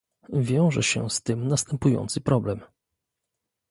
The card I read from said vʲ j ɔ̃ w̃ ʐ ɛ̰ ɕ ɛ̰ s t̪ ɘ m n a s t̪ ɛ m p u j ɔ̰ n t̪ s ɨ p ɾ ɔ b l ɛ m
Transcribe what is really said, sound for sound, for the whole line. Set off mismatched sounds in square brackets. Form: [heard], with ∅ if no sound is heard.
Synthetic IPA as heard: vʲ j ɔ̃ w̃ ʐ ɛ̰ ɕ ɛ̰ s t̪ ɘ m n a s t̪ ɛ m p u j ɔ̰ n t̪ s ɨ p ɾ ɔ b l ɛ m